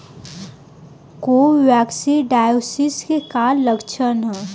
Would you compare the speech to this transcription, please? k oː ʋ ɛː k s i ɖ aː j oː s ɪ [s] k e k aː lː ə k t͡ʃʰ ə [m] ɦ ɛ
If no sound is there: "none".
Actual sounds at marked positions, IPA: s, n

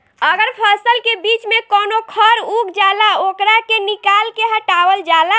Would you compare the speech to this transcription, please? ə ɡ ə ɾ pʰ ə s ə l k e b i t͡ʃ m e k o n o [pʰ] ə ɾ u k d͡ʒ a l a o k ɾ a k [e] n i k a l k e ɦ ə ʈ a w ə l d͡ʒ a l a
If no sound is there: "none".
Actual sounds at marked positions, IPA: kʰ, e

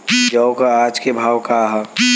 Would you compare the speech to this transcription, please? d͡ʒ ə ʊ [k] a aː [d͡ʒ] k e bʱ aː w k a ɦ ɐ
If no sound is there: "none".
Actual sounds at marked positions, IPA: k, d͡ʒ

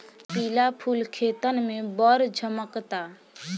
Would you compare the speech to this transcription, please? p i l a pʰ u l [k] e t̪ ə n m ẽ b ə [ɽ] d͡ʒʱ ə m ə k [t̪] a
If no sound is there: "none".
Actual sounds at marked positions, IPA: kʰ, ɾ, t̪

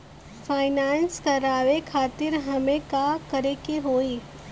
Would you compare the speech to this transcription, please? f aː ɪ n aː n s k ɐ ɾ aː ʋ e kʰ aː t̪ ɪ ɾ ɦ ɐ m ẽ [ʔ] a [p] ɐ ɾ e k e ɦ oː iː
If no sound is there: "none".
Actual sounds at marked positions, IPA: k, k

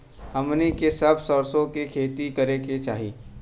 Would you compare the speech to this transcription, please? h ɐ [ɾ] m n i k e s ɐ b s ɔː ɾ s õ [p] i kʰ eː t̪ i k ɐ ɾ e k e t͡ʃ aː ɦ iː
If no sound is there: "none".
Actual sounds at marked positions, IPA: none, k

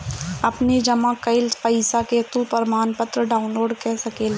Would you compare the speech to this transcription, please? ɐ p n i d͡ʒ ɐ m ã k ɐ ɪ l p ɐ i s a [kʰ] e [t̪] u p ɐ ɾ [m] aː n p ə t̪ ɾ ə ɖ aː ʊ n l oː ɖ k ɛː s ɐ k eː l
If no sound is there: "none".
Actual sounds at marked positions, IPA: k, t̪, m

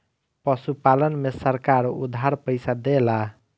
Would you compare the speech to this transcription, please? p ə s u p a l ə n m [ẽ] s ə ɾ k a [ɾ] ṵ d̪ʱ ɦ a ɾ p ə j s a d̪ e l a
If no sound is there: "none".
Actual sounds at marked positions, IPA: e, ɾ

